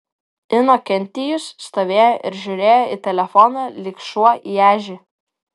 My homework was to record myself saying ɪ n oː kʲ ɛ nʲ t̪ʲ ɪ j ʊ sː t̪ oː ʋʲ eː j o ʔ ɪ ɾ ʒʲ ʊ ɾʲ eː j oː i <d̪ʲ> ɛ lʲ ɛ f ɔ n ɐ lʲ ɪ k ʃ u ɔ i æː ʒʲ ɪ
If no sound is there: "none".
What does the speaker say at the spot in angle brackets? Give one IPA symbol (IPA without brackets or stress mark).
t̪ʲ